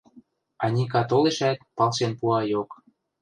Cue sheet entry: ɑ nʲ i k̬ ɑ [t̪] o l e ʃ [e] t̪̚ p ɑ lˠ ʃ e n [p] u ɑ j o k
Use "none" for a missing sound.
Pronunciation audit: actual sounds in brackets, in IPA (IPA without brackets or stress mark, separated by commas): t̪, æ, p